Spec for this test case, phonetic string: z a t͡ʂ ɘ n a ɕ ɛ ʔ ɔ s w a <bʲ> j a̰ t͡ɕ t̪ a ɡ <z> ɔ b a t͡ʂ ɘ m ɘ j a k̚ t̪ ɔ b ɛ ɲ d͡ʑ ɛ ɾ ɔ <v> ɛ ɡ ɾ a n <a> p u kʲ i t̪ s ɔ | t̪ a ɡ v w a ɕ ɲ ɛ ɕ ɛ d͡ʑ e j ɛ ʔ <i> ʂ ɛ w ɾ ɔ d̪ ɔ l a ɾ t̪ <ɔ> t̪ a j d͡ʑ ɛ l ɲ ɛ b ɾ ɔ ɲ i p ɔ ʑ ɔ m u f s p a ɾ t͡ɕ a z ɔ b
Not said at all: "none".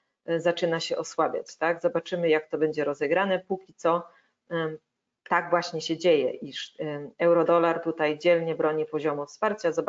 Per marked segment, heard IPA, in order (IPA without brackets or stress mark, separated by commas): bʲ, z, z, ɛ, i, u